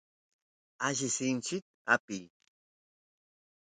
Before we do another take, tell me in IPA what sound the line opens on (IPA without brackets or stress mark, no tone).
a